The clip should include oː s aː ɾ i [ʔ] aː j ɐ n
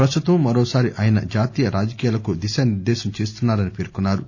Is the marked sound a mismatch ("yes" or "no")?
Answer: no